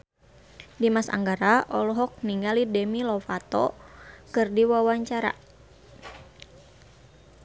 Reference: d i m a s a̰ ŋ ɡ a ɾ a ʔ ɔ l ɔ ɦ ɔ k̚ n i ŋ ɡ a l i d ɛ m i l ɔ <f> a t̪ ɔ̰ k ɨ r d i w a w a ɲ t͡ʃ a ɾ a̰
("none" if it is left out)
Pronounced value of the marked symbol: f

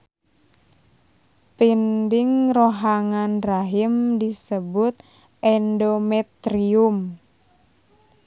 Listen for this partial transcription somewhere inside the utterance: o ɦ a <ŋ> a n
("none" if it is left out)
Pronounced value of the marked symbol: ŋ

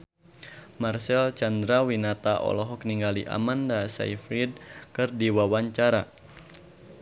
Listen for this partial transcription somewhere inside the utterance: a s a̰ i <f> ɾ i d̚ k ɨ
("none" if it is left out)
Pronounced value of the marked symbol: f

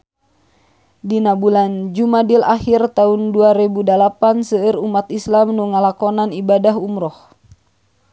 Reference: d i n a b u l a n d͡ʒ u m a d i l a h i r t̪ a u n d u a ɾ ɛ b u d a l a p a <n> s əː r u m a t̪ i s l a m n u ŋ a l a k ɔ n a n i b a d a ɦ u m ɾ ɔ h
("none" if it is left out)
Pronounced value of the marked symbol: n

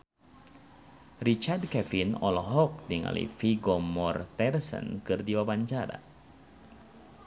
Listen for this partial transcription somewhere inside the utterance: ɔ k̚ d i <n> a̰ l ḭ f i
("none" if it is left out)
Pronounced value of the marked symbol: ŋ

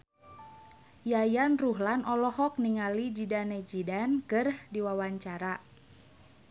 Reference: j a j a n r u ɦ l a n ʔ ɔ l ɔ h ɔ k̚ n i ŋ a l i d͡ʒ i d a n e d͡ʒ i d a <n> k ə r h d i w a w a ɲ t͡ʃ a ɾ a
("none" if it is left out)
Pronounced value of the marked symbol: n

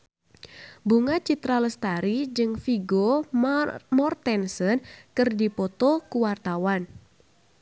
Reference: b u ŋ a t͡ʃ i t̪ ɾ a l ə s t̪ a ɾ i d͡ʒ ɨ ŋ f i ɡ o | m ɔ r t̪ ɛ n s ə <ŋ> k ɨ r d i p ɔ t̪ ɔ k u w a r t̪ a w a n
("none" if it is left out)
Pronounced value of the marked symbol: n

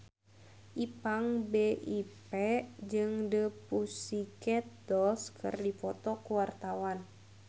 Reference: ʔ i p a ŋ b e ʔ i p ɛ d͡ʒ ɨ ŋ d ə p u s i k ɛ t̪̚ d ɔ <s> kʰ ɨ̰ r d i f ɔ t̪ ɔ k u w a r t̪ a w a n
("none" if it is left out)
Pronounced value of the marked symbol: s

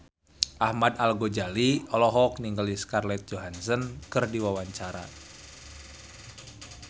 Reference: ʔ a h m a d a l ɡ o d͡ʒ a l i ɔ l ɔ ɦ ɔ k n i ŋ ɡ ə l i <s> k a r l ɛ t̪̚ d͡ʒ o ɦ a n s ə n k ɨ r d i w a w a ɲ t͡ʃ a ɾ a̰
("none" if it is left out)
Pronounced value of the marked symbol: s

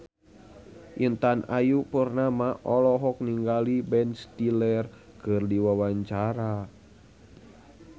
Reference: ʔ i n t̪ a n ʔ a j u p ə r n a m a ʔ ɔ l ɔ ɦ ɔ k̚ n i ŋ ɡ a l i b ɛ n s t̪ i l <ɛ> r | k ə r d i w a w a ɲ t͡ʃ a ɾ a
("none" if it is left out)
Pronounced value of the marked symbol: ɛ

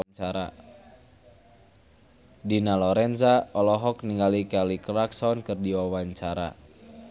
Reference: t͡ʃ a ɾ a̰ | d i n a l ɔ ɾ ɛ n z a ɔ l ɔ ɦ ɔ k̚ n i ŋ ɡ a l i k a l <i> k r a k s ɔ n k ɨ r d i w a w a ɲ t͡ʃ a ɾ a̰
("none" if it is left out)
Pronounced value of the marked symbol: i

